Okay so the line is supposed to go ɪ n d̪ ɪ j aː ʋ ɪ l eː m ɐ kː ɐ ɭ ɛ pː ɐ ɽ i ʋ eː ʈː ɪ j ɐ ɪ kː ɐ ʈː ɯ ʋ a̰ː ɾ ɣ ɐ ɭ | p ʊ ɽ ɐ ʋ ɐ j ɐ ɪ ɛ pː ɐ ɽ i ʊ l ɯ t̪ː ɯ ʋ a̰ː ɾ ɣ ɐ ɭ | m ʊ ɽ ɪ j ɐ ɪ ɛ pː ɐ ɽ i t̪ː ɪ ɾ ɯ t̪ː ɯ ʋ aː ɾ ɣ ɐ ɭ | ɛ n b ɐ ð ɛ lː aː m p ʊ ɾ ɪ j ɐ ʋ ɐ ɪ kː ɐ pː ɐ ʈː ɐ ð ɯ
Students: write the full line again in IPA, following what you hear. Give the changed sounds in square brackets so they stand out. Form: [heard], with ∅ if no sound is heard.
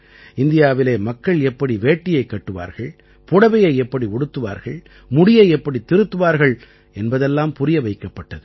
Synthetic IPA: ɪ n d̪ ɪ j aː ʋ ɪ l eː m ɐ kː ɐ ɭ ɛ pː ɐ ɽ i ʋ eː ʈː ɪ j ɐ ɪ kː ɐ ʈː ɯ ʋ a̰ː ɾ ɣ ɐ ɭ | p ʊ ɽ ɐ ʋ ɐ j ɐ ɪ ɛ pː ɐ ɽ i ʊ [ɽ] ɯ t̪ː ɯ ʋ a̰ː ɾ ɣ ɐ ɭ | m ʊ ɽ ɪ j ɐ ɪ ɛ pː ɐ ɽ i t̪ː ɪ ɾ ɯ t̪ː ɯ ʋ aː ɾ ɣ ɐ ɭ | ɛ n b ɐ ð ɛ lː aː m p ʊ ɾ ɪ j ɐ ʋ ɐ ɪ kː ɐ pː ɐ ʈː ɐ ð ɯ

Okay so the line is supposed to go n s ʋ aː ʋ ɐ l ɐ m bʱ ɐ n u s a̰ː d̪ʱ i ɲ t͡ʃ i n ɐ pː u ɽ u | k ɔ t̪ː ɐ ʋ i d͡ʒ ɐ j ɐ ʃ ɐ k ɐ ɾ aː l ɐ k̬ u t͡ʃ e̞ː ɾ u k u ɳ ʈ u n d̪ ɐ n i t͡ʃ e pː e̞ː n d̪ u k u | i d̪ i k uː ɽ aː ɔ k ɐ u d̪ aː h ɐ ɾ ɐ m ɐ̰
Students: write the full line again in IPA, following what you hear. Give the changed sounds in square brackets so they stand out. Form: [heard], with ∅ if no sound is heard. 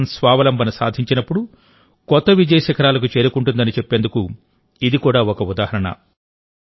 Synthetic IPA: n s ʋ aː ʋ ɐ l ɐ m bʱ ɐ n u s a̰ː d̪ʱ i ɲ t͡ʃ i n ɐ pː u ɽ u | k ɔ t̪ː ɐ ʋ i d͡ʒ ɐ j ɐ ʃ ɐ k ɐ ɾ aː l ɐ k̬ u t͡ʃ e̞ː ɾ u k u ɳ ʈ u n d̪ ɐ n i t͡ʃ e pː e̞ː n d̪ u k u | i d̪ i k uː ɽ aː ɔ k ɐ u d̪ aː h ɐ ɾ ɐ [ɳ] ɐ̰

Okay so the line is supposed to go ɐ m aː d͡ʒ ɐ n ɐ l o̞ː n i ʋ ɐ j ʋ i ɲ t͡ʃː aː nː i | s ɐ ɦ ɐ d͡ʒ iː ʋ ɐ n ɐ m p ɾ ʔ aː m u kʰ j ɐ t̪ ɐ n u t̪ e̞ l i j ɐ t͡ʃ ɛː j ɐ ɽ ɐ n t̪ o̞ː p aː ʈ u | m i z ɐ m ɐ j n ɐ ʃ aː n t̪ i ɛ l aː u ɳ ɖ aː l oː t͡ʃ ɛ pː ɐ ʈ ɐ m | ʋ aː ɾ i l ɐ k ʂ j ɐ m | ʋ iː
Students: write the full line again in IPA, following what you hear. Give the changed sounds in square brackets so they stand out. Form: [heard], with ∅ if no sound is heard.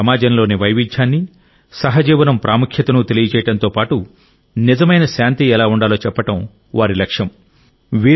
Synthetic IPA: ɐ m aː d͡ʒ ɐ n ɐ l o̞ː n i ʋ ɐ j ʋ i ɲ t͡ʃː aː nː i | s ɐ ɦ ɐ d͡ʒ iː ʋ ɐ n ɐ m p ɾ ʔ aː m u kʰ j ɐ t̪ ɐ n u t̪ e̞ l i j ɐ t͡ʃ ɛː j ɐ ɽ ɐ n t̪ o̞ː p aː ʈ u | [n] i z ɐ m ɐ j n ɐ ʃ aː n t̪ i ɛ l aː u ɳ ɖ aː l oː t͡ʃ ɛ pː ɐ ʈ ɐ m | ʋ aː ɾ i l ɐ k ʂ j ɐ m | ʋ iː

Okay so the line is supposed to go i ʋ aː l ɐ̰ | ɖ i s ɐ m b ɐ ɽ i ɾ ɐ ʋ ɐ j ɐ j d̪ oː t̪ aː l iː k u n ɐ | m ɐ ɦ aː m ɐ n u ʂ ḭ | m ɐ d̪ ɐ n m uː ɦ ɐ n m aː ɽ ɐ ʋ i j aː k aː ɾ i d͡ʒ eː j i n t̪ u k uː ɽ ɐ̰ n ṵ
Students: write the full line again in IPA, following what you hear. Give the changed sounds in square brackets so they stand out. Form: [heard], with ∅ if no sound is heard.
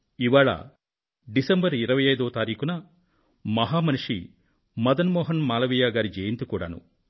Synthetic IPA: i ʋ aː [ɭ] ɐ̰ | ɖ i s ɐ m b ɐ [ɾ] i ɾ ɐ ʋ ɐ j ɐ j d̪ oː t̪ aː [ɾ] iː k u n ɐ | m ɐ ɦ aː m ɐ n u ʂ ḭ | m ɐ d̪ ɐ n m [ɔː] ɦ ɐ n m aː [l] ɐ ʋ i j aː [ɡ] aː ɾ i d͡ʒ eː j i n t̪ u k uː ɽ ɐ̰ n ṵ

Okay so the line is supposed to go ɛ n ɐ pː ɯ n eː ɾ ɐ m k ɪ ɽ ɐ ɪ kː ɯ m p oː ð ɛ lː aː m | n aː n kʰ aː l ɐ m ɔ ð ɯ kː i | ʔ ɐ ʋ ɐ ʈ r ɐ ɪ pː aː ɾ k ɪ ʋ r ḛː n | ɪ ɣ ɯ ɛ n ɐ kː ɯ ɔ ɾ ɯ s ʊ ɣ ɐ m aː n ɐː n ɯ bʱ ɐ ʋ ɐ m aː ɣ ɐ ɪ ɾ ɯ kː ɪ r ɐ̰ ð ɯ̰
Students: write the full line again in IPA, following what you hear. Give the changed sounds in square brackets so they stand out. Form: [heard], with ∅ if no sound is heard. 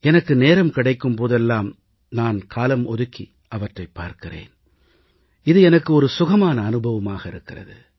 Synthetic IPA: ɛ n ɐ [kː] ɯ n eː ɾ ɐ m k ɪ ɽ ɐ ɪ kː ɯ m p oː ð ɛ lː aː m | n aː n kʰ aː l ɐ m ɔ ð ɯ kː i | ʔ ɐ ʋ ɐ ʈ r ɐ ɪ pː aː ɾ k ɪ [∅] r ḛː n | ɪ [ð] ɯ ɛ n ɐ kː ɯ ɔ ɾ ɯ s ʊ ɣ ɐ m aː n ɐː n ɯ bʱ ɐ ʋ ɐ m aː ɣ ɐ ɪ ɾ ɯ kː ɪ r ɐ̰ ð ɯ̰

